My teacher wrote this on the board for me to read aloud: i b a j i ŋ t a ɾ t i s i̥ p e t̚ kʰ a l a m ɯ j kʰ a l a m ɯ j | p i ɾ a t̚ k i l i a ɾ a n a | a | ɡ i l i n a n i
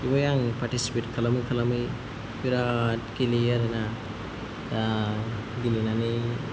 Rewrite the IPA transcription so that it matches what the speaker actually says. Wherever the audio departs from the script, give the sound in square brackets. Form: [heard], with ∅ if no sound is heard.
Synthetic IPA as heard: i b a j [a] ŋ [p] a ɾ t i s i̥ p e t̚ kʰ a l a m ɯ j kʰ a l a m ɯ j | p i ɾ a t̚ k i l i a ɾ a n a | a | ɡ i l i n a n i